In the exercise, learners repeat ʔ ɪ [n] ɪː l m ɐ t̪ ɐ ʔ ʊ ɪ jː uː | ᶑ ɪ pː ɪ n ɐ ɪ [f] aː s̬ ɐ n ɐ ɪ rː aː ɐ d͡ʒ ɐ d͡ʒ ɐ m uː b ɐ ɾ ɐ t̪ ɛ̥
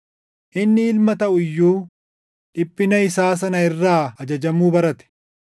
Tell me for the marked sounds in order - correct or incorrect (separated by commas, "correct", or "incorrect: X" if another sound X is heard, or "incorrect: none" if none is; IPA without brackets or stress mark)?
incorrect: nː, incorrect: s